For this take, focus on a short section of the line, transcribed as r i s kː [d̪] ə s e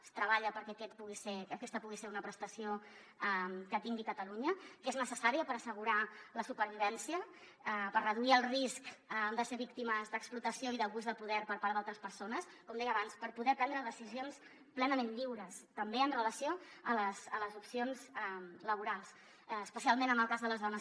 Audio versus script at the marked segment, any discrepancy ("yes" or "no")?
no